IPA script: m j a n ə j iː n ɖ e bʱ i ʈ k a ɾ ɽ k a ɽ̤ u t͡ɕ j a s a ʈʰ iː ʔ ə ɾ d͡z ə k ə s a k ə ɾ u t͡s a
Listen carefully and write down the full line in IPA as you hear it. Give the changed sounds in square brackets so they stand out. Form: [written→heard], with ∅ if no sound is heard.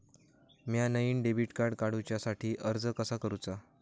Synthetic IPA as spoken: m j a n ə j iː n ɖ e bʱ i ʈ k a ɾ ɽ k a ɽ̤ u t͡ɕ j a s a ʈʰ iː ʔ ə ɾ d͡z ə k ə s a k ə ɾ u t͡s a